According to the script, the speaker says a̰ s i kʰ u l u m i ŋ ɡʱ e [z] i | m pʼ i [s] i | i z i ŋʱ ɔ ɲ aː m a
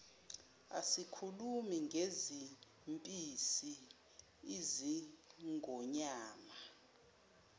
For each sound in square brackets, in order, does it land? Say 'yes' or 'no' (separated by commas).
yes, yes